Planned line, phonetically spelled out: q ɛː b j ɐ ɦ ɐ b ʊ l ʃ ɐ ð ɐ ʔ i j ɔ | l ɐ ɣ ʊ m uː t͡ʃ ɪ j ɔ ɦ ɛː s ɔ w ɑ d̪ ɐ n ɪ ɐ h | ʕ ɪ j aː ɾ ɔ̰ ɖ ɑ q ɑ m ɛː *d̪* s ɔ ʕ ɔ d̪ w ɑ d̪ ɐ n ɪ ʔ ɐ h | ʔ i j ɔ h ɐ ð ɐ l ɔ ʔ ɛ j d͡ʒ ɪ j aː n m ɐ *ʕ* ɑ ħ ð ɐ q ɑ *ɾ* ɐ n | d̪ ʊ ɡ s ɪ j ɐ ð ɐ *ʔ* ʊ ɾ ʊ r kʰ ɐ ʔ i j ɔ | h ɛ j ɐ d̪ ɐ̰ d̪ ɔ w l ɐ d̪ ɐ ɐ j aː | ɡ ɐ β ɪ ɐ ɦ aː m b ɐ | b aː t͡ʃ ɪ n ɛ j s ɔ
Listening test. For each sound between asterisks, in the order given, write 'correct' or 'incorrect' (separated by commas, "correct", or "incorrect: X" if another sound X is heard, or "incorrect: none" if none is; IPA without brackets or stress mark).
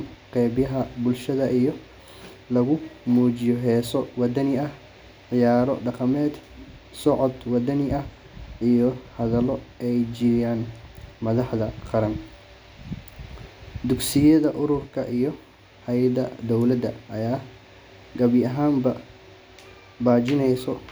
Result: correct, incorrect: ð, correct, correct